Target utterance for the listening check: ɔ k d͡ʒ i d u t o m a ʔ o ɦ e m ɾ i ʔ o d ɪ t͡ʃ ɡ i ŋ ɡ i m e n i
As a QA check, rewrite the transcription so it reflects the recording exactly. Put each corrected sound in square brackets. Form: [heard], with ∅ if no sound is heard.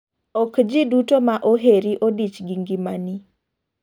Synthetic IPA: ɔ k d͡ʒ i d u t o m a ʔ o ɦ e [∅] ɾ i ʔ o d [i] t͡ʃ ɡ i ŋ ɡ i m [a] n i